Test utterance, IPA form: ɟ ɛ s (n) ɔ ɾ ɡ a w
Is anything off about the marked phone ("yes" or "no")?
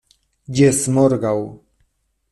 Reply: yes